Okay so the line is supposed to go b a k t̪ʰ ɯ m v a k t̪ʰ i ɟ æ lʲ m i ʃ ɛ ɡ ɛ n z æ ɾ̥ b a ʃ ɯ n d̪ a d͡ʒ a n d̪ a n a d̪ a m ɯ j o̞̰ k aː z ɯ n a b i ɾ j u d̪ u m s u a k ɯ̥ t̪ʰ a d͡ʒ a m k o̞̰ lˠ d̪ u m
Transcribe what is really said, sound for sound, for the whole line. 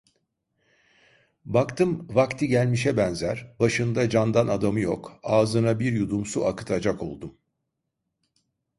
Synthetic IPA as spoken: b a k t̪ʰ ɯ m v a k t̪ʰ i ɟ æ lʲ m i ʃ ɛ b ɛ n z æ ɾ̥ b a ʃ ɯ n d̪ a d͡ʒ a n d̪ a n a d̪ a m ɯ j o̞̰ k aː z ɯ n a b i ɾ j u d̪ u m s u a k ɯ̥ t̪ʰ a d͡ʒ a k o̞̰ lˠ d̪ u m